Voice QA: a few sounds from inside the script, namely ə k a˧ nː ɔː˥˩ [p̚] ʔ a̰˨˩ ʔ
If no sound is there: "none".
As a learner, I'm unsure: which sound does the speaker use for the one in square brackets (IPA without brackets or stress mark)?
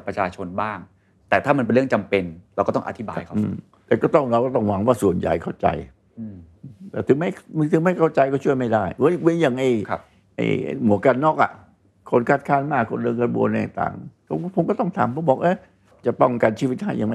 k̚